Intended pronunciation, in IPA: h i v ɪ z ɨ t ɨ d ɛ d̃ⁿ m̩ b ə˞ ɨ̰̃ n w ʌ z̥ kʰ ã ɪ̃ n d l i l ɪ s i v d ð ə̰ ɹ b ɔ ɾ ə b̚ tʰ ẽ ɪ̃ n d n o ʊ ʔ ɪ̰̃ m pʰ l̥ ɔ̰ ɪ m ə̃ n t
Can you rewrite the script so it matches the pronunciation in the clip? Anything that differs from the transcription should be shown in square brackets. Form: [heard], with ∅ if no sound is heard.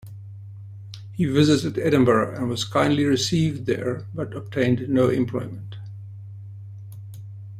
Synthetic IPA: h i v ɪ z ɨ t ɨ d ɛ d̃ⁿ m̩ b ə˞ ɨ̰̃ n w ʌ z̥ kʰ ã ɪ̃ n d l i [ɹ] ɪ s i v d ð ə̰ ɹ b [ʌ] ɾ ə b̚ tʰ ẽ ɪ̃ n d n o ʊ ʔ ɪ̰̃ m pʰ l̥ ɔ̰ ɪ m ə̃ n t